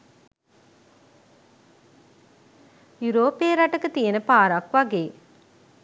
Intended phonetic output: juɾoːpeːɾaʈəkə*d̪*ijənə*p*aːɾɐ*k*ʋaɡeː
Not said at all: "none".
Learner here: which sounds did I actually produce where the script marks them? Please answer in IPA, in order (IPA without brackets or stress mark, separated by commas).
t̪, p, k